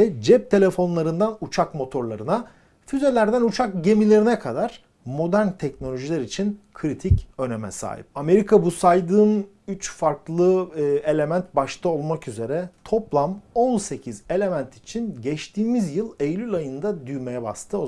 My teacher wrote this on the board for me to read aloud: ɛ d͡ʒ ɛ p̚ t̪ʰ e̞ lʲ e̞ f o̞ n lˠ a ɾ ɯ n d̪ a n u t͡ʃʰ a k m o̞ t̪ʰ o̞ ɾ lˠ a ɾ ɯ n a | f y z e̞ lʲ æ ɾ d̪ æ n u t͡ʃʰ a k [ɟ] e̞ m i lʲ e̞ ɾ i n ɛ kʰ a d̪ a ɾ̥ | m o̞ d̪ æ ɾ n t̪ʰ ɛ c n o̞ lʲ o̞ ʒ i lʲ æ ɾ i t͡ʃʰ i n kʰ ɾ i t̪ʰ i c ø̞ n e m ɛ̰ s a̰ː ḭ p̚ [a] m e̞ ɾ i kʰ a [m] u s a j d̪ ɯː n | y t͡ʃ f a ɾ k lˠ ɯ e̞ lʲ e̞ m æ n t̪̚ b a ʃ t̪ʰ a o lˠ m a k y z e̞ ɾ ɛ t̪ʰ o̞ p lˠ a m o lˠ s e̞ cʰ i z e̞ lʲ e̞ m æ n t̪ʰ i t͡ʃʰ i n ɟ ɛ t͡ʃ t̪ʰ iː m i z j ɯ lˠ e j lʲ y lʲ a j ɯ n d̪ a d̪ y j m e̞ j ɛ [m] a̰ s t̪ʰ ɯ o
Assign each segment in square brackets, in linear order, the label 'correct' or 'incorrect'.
correct, correct, incorrect: b, incorrect: b

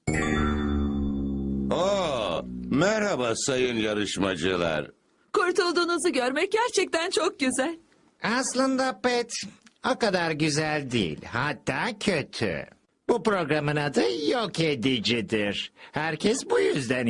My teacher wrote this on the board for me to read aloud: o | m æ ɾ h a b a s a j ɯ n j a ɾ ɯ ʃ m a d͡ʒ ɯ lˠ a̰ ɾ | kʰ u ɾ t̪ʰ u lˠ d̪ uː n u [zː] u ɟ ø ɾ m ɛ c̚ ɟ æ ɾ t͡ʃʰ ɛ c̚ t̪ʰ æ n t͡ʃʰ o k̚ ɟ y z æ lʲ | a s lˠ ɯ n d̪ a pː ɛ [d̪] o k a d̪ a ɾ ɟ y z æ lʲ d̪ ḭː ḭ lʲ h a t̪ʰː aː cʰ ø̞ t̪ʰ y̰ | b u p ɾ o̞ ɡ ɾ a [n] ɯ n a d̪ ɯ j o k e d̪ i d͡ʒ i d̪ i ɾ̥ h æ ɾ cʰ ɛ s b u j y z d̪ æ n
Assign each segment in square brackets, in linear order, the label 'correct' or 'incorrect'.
incorrect: z, incorrect: t̪, incorrect: m

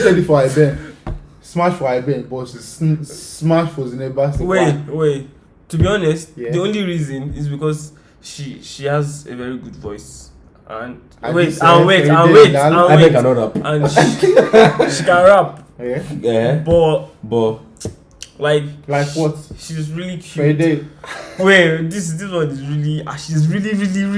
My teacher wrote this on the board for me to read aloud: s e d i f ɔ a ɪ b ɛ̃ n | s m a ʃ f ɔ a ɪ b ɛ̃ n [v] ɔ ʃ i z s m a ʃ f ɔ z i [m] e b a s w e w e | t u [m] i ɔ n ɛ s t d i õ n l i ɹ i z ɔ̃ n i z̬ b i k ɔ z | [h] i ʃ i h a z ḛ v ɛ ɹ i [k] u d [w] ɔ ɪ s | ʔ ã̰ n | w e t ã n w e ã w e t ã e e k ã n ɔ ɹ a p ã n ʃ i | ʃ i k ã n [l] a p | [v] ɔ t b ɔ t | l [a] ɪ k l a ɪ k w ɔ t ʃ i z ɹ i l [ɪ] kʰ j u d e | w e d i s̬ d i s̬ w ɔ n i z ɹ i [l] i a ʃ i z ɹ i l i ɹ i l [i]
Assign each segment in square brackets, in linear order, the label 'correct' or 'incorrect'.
incorrect: b, incorrect: n, incorrect: b, incorrect: ʃ, incorrect: ɡ, incorrect: v, incorrect: ɹ, incorrect: b, correct, incorrect: i, correct, correct

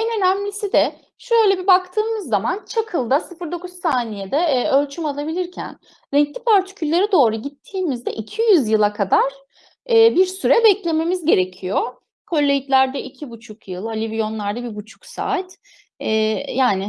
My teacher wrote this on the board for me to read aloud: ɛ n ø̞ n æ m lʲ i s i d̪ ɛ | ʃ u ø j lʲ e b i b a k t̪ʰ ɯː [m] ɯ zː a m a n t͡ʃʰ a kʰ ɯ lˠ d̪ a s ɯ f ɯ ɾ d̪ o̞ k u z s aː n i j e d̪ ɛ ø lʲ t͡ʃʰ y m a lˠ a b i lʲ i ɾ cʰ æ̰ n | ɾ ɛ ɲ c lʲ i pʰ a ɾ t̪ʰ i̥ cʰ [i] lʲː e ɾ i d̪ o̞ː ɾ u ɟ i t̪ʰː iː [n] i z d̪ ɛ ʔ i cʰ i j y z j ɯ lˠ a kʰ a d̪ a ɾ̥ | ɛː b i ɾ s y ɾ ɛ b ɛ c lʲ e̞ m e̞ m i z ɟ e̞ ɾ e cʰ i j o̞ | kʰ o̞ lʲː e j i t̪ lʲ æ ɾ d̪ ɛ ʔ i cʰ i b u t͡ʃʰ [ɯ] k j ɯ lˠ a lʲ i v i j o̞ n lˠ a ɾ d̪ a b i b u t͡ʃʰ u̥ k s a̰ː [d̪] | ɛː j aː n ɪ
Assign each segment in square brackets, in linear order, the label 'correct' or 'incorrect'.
correct, incorrect: y, incorrect: m, incorrect: u, incorrect: t̪

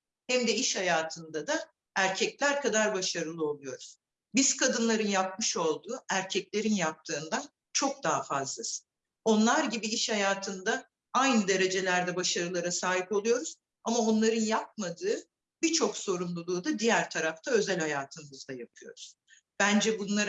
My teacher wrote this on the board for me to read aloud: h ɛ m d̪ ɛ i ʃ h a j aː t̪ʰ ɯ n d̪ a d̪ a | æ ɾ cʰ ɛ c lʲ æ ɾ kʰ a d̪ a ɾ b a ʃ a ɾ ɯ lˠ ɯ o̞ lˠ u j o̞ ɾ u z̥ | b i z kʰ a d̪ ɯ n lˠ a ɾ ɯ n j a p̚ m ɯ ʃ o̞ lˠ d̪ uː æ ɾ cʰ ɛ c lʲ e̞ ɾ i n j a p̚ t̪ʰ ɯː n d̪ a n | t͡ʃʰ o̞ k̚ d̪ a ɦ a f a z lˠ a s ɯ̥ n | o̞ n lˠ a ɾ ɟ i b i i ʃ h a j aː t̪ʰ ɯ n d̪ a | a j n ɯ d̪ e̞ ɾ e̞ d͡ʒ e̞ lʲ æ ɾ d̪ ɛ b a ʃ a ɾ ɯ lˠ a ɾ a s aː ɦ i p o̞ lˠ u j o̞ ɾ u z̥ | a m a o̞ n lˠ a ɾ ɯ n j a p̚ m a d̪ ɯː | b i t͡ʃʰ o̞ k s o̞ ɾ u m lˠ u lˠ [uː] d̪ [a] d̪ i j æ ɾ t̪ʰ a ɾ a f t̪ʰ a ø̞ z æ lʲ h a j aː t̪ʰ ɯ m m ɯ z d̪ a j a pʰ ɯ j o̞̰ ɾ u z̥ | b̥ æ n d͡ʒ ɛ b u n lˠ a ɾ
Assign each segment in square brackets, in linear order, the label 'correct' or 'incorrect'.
correct, correct

